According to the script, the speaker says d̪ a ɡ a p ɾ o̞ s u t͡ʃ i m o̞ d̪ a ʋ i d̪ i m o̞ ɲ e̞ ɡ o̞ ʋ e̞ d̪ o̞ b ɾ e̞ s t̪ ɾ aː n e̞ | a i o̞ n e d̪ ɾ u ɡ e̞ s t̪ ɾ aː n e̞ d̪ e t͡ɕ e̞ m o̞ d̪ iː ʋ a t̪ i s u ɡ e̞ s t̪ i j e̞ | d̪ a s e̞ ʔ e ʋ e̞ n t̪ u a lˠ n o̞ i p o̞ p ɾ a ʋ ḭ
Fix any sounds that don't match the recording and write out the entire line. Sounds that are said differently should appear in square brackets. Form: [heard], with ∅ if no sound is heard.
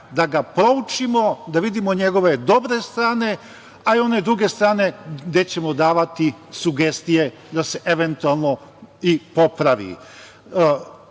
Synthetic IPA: d̪ a ɡ a p ɾ o̞ [∅] u t͡ʃ i m o̞ d̪ a ʋ i d̪ i m o̞ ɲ e̞ ɡ o̞ ʋ e̞ d̪ o̞ b ɾ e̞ s t̪ ɾ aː n e̞ | a i o̞ n e d̪ ɾ u ɡ e̞ s t̪ ɾ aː n e̞ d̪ e t͡ɕ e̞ m o̞ d̪ [aː] ʋ a t̪ i s u ɡ e̞ s t̪ i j e̞ | d̪ a s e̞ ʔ e ʋ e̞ n t̪ u a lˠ n o̞ i p o̞ p ɾ a ʋ ḭ

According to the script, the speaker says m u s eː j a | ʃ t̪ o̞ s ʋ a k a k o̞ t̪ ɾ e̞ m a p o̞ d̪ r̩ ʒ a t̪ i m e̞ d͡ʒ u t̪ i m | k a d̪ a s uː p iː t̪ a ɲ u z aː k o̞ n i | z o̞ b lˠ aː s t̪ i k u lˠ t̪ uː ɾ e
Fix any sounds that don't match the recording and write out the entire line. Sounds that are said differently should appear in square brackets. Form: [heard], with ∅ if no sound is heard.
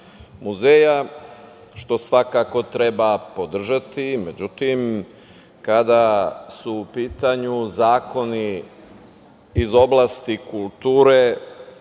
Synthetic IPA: m u [z] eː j a | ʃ t̪ o̞ s ʋ a k a k o̞ t̪ ɾ e̞ [b] a p o̞ d̪ r̩ ʒ a t̪ i m e̞ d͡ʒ u t̪ i m | k a d̪ a s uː p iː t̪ a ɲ u z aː k o̞ n i | z o̞ b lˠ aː s t̪ i k u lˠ t̪ uː ɾ e

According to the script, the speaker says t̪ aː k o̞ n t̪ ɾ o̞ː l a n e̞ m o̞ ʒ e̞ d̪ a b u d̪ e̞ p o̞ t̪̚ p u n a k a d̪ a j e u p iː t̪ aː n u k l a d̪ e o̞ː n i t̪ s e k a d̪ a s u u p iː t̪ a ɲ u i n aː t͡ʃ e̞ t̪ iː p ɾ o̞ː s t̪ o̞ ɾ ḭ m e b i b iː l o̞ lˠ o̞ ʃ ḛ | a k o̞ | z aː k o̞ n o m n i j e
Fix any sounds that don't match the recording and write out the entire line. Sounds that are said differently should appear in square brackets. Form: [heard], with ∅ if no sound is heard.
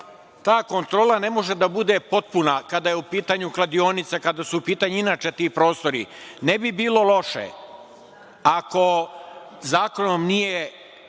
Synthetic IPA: t̪ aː k o̞ n t̪ ɾ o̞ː l a n e̞ m o̞ ʒ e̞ d̪ a b u d̪ e̞ p o̞ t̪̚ p u n a k a d̪ a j e u p iː t̪ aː [ɲ] u k l a d̪ [i] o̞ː n i t̪ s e k a d̪ a s u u p iː t̪ a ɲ u i n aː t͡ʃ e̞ t̪ iː p ɾ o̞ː s t̪ o̞ ɾ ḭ [n] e b i b iː l o̞ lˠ o̞ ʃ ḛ | a k o̞ | z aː k o̞ n o m n i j e

